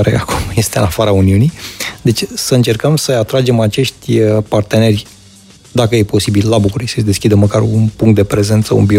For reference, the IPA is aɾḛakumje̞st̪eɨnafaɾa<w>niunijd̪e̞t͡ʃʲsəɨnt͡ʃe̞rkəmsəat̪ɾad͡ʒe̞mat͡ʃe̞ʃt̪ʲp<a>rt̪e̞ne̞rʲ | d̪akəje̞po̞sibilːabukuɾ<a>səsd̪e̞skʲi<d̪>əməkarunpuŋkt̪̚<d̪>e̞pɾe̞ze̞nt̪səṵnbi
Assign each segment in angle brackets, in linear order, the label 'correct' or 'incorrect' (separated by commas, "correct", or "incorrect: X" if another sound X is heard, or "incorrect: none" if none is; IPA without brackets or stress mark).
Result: incorrect: u, correct, incorrect: i, correct, correct